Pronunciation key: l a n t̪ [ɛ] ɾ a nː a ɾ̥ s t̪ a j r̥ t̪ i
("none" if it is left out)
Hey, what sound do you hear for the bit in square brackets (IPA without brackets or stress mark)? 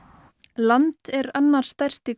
ɛ